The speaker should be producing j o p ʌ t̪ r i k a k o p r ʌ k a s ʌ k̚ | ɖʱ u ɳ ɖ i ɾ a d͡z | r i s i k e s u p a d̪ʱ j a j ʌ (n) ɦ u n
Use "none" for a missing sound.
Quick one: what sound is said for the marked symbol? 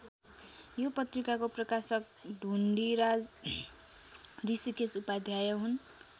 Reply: none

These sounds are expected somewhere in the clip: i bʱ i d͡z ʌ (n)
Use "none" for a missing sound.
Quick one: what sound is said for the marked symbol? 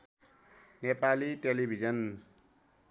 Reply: n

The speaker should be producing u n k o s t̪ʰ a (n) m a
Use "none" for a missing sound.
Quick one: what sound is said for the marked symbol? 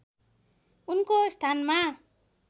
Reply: n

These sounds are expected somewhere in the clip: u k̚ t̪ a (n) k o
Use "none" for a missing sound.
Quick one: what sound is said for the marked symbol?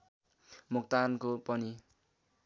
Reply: n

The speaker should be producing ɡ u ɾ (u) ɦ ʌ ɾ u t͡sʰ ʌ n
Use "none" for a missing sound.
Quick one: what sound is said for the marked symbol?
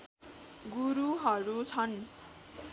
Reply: u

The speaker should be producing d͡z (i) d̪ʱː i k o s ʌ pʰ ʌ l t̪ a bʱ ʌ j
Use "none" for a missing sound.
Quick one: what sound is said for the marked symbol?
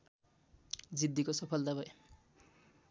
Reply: i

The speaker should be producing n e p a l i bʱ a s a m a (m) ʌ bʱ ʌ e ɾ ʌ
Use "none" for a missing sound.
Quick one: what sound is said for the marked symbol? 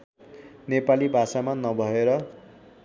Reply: n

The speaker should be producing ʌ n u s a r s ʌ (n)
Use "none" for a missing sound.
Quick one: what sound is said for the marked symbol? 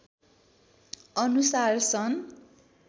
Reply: n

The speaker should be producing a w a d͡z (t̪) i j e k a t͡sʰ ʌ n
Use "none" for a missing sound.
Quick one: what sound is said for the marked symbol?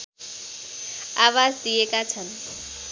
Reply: d̪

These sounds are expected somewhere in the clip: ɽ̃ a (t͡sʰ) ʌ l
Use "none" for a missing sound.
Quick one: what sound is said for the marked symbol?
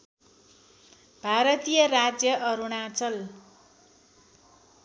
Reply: t͡s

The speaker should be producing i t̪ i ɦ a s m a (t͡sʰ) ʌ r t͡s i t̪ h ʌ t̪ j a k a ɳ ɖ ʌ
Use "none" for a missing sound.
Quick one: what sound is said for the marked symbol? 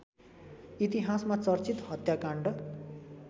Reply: t͡s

